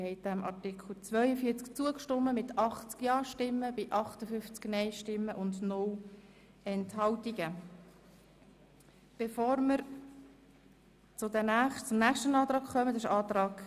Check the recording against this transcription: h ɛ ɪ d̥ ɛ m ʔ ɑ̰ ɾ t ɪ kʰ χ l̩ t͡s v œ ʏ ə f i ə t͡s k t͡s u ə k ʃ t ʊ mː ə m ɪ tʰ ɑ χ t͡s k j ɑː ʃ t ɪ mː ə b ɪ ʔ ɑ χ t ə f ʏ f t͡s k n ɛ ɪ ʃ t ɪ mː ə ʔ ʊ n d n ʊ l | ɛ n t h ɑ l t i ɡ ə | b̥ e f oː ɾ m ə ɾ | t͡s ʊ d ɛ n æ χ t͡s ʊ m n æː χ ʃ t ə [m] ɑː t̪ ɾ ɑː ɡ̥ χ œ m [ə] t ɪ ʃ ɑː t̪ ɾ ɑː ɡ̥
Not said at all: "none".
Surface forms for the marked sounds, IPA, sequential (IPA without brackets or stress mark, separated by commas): n, ə